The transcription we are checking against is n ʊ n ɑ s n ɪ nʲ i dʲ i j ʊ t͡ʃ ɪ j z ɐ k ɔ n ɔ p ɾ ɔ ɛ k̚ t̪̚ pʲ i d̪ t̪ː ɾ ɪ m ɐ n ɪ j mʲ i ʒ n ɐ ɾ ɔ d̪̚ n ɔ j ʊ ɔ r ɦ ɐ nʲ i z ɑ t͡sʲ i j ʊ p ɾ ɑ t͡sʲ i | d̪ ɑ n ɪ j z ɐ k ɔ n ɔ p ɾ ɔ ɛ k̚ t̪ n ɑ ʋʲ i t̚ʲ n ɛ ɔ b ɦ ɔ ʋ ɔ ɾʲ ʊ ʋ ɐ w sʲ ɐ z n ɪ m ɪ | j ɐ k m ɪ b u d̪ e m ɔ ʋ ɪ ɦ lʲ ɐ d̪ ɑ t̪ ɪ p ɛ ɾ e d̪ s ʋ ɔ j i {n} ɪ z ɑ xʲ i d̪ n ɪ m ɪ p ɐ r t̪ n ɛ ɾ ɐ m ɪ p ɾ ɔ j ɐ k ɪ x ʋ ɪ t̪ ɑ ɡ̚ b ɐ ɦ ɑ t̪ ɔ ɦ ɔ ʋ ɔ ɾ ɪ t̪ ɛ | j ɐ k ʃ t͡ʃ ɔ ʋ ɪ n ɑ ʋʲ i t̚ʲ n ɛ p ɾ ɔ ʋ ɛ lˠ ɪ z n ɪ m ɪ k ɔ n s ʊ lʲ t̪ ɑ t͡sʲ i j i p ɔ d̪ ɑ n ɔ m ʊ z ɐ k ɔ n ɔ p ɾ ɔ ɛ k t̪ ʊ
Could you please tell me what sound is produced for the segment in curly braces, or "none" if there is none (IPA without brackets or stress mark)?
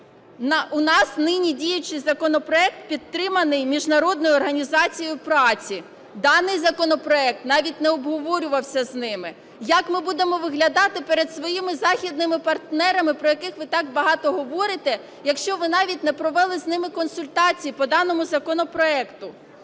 m